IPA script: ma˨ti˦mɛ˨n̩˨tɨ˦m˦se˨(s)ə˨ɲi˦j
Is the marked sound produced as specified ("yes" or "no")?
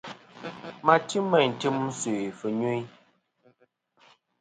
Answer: no